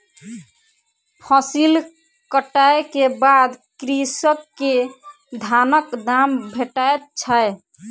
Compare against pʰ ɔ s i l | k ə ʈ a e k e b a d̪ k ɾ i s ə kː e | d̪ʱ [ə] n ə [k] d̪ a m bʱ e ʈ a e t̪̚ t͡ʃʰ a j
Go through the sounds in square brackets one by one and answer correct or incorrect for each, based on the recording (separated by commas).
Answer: incorrect, correct